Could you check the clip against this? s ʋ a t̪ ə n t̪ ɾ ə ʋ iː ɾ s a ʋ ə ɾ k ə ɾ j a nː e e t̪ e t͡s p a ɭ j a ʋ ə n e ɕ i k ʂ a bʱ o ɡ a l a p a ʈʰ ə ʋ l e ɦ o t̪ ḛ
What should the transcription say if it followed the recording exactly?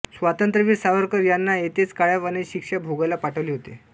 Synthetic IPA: s ʋ a t̪ ə n t̪ ɾ ə ʋ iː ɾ s a ʋ ə ɾ k ə ɾ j a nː a e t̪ e t͡s k a ɭ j a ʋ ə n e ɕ i k ʂ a bʱ o ɡ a l a p a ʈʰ ə ʋ l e ɦ o t̪ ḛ